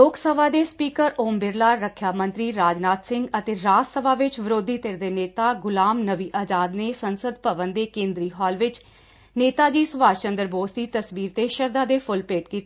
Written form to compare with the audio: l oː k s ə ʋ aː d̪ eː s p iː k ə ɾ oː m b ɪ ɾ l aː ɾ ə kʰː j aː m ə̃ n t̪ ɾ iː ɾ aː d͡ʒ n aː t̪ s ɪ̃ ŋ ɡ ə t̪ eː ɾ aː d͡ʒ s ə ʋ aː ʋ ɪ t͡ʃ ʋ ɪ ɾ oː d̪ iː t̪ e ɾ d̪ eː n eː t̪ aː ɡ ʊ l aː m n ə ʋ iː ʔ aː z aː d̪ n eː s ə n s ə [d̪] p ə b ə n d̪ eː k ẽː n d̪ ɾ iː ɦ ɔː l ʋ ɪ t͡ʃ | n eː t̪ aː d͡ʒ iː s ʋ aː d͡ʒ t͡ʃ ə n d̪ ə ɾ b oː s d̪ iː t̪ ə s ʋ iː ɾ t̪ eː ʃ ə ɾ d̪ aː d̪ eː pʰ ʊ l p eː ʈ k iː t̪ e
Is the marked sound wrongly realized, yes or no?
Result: no